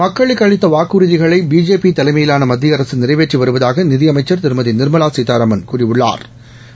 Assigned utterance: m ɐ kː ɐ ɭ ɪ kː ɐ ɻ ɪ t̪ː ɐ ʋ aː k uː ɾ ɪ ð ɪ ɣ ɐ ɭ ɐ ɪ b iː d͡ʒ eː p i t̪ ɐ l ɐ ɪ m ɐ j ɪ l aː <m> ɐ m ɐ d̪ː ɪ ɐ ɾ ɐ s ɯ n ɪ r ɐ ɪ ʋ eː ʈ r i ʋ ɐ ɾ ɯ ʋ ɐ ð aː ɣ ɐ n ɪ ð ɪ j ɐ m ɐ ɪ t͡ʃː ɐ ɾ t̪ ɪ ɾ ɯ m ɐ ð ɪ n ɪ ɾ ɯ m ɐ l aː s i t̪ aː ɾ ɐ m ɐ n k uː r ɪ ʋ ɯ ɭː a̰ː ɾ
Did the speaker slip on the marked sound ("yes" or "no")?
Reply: yes